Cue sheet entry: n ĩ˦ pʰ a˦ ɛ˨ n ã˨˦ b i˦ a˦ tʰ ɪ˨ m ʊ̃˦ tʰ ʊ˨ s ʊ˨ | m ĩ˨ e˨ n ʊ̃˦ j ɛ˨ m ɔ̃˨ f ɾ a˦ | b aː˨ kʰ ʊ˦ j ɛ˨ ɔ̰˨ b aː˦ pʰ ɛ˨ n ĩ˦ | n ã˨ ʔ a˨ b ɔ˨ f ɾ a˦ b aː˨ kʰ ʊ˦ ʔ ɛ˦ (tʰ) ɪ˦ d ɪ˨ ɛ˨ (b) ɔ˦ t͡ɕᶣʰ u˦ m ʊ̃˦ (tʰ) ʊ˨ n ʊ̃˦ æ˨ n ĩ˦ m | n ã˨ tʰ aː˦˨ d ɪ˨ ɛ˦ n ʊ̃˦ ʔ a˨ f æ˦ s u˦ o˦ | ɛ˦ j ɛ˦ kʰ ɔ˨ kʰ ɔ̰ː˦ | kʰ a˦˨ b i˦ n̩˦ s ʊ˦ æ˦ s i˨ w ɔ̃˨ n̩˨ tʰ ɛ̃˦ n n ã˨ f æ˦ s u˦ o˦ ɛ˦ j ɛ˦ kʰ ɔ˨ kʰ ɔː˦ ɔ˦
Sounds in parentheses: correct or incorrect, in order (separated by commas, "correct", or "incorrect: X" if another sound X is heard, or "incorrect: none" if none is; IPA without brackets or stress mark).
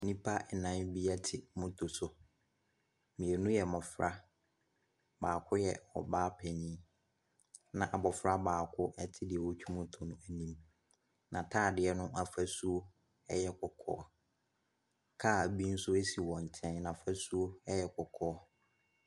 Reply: correct, incorrect: w, correct